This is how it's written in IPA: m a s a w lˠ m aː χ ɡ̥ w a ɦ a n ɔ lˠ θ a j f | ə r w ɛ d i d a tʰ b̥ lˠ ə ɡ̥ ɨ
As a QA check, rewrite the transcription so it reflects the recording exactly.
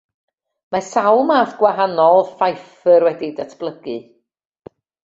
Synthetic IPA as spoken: m a s a w lˠ m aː θ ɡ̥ w a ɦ a n ɔ lˠ f a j f | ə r w ɛ d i d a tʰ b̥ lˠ ə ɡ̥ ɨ